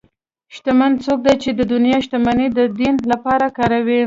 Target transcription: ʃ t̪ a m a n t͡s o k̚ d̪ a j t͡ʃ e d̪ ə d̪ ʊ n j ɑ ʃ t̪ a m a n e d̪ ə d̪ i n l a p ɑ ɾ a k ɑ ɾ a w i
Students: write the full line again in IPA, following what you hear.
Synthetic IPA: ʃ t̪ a m a n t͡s o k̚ d̪ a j t͡ʃ e d̪ ə d̪ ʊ n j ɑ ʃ t̪ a m a n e d̪ ə d̪ i n l a p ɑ ɾ a k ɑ ɾ a w i